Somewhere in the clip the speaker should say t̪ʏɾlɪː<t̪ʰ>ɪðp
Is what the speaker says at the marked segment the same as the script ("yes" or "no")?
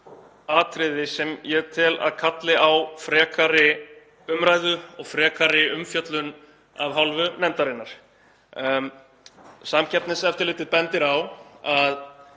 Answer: no